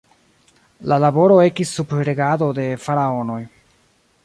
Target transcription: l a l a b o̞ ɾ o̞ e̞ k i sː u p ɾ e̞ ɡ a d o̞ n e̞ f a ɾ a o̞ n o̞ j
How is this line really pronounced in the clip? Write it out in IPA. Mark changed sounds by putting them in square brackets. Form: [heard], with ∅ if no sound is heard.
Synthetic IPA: l a l a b o̞ ɾ o̞ e̞ k i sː u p ɾ e̞ ɡ a d o̞ [d] e̞ f a ɾ a o̞ n o̞ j